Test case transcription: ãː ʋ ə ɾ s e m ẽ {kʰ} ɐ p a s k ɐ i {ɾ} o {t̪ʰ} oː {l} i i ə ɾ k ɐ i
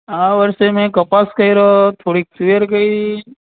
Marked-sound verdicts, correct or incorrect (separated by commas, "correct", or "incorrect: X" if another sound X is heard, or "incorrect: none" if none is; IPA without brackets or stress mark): incorrect: k, correct, correct, incorrect: ɽ